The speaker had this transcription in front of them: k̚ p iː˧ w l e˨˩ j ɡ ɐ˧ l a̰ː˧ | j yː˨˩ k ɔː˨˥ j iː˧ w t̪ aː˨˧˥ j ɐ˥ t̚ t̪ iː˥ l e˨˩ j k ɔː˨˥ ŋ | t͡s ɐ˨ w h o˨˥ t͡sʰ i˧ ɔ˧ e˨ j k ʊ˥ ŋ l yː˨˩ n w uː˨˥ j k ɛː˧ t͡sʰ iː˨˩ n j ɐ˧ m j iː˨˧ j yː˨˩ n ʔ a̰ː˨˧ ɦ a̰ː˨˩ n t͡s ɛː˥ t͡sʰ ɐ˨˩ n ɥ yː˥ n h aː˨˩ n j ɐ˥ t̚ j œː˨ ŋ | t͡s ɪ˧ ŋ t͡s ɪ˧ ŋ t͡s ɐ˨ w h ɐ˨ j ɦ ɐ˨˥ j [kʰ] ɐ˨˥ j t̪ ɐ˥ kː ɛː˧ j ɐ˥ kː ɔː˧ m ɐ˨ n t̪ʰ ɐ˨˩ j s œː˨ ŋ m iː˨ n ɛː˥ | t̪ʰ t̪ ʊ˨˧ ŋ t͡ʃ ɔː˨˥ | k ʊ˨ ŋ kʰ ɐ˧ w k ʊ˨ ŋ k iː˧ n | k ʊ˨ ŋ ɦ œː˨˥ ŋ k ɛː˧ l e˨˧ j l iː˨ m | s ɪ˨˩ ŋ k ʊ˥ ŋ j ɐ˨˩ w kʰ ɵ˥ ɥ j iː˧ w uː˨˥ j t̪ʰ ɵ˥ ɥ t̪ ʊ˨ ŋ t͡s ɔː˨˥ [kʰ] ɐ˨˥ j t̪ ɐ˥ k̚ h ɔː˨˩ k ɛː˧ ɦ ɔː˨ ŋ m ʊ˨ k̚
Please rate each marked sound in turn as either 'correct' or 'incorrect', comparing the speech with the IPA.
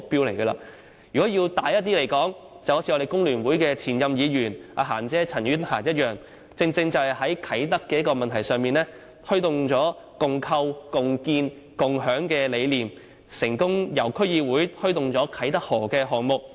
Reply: correct, correct

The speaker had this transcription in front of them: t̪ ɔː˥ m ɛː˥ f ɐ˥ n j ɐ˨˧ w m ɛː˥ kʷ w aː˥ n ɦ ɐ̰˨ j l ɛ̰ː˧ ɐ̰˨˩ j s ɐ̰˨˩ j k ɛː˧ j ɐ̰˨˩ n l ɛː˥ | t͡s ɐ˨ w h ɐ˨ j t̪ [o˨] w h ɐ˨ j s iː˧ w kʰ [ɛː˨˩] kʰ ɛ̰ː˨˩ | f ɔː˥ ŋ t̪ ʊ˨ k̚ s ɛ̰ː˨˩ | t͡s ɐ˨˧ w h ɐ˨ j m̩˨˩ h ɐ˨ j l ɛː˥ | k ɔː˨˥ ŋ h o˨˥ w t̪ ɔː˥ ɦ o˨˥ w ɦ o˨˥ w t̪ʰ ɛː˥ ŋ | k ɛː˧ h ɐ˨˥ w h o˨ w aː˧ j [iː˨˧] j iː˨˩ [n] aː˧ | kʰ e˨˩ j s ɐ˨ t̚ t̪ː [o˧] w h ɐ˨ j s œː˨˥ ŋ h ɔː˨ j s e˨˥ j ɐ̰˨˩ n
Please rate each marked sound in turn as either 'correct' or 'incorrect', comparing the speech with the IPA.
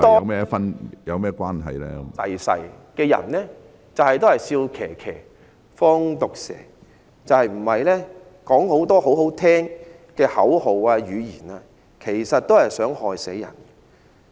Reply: incorrect, correct, incorrect, correct, incorrect

